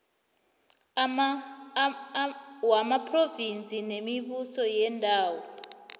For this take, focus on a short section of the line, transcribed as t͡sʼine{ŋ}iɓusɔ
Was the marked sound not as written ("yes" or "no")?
yes